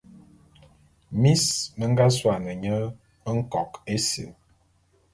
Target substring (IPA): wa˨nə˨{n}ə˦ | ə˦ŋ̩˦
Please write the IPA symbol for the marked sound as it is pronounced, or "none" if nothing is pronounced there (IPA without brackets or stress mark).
ɲ